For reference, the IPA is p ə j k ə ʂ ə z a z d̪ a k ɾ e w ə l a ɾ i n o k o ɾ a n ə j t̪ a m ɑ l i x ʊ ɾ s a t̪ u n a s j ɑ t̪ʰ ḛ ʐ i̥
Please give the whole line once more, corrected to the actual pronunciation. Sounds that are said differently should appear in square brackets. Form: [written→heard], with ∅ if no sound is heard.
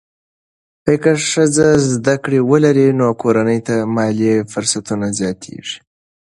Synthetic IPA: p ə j k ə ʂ ə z a z d̪ a k [ɾ→ɽ] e w ə l a ɾ i n o k o ɾ a n ə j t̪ a m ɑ l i [x→f] ʊ ɾ s a t̪ u n a [s→z] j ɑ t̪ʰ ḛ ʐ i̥